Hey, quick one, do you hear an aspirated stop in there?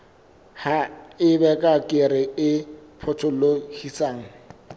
yes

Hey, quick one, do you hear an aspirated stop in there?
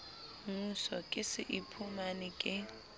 yes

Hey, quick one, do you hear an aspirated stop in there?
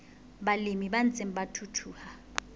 yes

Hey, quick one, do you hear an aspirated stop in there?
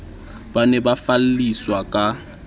no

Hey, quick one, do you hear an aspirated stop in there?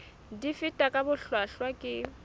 no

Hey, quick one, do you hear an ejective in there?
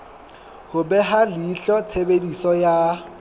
no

